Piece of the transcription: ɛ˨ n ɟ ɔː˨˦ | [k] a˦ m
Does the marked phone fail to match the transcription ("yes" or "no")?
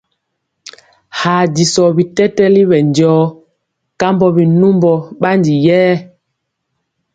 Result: no